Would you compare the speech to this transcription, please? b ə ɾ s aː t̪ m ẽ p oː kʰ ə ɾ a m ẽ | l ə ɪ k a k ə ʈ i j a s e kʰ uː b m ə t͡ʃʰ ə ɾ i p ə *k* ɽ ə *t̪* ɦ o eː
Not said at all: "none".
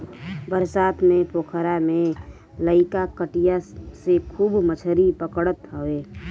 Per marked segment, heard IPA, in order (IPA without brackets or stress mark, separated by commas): k, t̪